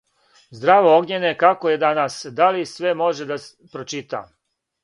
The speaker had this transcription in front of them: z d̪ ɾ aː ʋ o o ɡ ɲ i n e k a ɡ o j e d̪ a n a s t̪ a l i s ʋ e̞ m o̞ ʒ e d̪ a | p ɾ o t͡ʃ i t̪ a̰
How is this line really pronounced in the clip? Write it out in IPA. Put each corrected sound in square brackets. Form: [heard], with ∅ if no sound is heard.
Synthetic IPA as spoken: z d̪ ɾ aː ʋ o o ɡ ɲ [e] n e k a [k] o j e d̪ a n a s [d̪] a l i s ʋ e̞ m o̞ ʒ e d̪ a | p ɾ o t͡ʃ i t̪ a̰